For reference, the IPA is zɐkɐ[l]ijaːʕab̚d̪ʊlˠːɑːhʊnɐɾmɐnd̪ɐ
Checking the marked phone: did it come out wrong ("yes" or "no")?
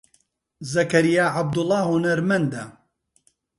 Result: yes